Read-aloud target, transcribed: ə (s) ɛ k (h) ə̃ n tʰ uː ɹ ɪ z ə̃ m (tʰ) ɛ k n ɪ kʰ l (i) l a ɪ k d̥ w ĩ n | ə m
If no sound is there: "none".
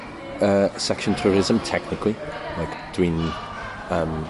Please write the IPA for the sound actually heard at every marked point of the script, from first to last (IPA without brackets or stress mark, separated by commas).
s, ʃ, tʰ, i